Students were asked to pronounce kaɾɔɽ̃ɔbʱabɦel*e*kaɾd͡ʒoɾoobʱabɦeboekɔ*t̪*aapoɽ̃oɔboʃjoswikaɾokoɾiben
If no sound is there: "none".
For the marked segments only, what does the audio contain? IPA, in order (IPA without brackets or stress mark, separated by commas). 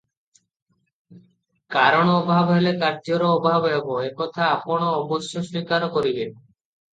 e, t̪ʰ